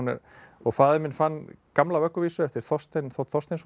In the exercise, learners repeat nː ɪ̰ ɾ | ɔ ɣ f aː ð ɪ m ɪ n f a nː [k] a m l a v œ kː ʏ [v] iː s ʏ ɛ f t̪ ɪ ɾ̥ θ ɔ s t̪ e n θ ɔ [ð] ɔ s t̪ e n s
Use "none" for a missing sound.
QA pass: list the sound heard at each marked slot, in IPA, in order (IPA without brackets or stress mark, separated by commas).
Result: k, v, θ